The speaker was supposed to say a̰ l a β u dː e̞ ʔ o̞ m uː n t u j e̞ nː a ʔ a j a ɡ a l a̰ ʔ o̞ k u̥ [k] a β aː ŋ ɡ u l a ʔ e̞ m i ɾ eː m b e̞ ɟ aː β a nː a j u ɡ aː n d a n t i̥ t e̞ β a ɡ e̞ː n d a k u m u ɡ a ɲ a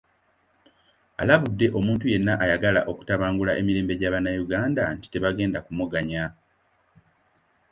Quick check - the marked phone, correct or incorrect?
incorrect